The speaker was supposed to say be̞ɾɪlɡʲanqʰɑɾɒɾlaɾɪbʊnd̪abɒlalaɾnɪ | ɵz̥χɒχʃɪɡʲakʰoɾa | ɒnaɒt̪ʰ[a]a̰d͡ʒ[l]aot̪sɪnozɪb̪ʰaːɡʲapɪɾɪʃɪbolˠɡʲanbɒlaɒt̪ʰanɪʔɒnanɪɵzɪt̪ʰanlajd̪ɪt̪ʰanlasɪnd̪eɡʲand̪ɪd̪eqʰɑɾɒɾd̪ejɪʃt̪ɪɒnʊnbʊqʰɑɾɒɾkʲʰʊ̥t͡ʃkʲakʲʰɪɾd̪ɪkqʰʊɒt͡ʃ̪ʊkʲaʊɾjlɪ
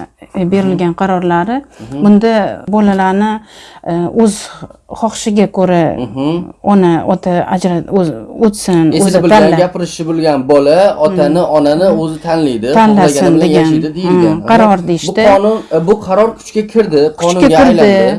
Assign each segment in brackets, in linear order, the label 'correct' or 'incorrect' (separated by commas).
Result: correct, incorrect